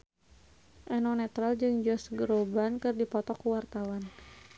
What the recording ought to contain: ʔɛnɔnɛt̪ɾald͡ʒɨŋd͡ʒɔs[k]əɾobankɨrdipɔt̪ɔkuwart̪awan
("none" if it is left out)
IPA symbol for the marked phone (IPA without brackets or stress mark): ɡ